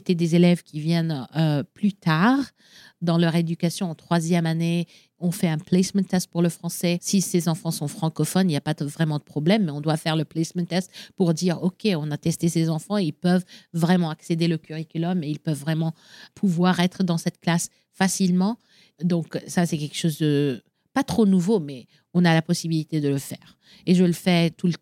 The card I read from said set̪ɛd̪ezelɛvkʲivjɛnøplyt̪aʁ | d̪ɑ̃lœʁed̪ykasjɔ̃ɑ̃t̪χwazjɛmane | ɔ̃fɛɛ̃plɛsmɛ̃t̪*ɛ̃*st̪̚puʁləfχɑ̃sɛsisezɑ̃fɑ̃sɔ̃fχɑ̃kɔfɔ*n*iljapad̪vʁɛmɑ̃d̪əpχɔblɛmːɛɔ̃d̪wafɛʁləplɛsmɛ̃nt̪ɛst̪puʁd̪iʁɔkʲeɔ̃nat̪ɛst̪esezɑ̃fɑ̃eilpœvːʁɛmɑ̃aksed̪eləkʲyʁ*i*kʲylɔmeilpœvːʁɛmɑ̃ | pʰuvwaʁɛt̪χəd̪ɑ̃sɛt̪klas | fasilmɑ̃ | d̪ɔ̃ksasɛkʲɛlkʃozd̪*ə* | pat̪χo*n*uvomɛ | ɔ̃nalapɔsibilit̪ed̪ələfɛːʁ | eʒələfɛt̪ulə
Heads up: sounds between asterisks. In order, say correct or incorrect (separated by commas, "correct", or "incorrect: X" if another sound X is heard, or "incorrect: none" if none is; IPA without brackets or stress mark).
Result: incorrect: ɛ, correct, correct, correct, correct